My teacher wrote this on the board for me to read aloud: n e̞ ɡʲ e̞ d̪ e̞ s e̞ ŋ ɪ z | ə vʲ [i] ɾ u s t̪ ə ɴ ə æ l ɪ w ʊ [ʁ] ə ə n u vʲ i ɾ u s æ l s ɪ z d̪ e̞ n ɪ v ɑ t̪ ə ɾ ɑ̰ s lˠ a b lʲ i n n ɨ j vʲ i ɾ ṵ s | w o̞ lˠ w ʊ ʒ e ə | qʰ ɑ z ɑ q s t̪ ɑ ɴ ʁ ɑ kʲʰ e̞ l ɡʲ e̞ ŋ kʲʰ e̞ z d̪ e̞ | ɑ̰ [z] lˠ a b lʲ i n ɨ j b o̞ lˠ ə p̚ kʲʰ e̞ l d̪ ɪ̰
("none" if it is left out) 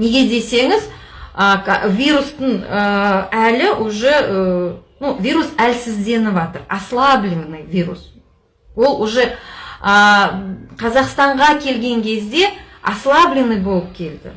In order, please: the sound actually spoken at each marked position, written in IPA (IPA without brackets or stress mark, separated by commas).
i, ʒ, s